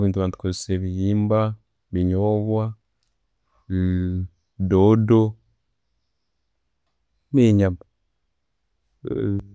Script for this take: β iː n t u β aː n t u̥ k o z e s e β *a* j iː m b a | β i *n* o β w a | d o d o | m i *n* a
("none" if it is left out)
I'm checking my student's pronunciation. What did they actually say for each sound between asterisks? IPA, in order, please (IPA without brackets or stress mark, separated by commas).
i, ɲ, ɲ